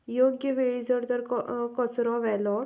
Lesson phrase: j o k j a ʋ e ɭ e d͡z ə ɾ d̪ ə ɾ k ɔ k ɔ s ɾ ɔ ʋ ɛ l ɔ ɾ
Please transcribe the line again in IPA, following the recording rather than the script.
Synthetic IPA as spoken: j o ɡ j ə ʋ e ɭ i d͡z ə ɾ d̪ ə ɾ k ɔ k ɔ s ɾ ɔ ʋ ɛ l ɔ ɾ